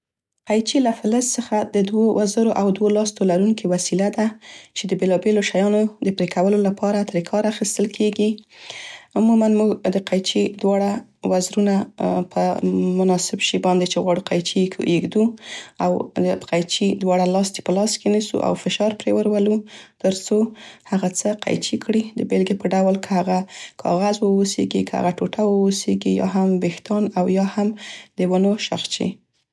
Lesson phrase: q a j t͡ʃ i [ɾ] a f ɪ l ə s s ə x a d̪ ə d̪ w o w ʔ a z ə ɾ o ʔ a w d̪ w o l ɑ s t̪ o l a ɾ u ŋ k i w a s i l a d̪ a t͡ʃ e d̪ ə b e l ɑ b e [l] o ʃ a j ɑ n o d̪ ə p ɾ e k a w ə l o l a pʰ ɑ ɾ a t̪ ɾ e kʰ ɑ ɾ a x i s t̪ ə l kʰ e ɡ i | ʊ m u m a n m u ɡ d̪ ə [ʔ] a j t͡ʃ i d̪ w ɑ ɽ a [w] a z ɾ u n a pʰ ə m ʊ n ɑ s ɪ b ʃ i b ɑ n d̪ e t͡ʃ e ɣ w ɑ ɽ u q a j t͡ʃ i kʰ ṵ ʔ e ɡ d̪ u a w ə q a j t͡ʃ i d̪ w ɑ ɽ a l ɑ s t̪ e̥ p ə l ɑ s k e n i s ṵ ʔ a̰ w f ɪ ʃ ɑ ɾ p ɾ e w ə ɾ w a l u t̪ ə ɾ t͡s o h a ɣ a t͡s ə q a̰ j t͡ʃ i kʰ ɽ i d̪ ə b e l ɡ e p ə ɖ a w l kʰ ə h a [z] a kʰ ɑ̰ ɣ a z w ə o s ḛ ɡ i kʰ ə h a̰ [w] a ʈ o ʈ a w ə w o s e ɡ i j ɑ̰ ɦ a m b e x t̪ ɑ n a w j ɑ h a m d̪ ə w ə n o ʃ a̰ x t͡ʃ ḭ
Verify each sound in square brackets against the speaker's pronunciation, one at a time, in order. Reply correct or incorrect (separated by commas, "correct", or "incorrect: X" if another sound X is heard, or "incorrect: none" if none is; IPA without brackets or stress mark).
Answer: incorrect: l, correct, incorrect: q, correct, incorrect: ɣ, incorrect: ɣ